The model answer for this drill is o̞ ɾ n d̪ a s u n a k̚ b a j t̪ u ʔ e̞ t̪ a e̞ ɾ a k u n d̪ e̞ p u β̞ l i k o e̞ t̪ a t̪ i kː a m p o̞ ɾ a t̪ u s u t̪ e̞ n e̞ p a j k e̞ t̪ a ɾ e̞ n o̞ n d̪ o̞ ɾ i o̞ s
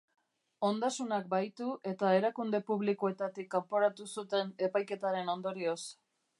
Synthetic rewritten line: o̞ n d̪ a s u n a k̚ b a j t̪ u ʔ e̞ t̪ a e̞ ɾ a k u n d̪ e̞ p u β̞ l i k o e̞ t̪ a t̪ i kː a m p o̞ ɾ a t̪ u s u t̪ e̞ n e̞ p a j k e̞ t̪ a ɾ e̞ n o̞ n d̪ o̞ ɾ i o̞ s